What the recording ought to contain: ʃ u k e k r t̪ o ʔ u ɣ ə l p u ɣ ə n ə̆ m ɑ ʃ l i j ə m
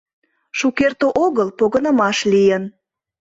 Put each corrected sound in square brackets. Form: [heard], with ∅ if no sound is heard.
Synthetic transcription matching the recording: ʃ u k e [∅] r t̪ o ʔ [o] ɣ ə l p [o] ɣ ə n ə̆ m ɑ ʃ l i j ə [n]